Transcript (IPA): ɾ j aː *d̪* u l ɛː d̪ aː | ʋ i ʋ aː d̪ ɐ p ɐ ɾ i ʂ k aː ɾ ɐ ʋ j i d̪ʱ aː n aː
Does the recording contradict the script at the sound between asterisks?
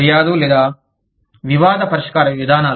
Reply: no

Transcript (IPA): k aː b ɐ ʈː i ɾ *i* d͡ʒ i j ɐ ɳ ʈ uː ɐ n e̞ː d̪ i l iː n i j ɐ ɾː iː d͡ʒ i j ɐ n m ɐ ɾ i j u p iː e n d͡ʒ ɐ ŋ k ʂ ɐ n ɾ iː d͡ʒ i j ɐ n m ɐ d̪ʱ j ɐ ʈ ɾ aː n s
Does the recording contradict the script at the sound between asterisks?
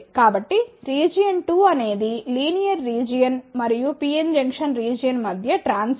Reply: yes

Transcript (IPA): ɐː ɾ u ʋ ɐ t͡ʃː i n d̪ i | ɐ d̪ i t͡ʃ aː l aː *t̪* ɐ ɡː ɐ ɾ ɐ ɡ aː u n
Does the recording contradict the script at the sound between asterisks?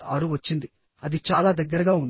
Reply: yes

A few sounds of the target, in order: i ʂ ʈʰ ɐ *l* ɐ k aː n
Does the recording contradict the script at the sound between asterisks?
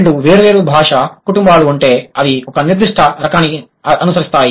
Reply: yes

